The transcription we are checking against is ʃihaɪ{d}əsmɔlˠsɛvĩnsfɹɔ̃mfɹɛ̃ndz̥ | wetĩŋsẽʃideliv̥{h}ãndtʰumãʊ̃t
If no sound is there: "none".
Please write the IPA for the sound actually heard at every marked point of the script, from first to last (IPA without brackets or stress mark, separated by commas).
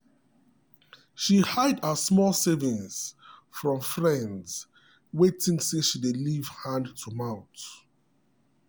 d, h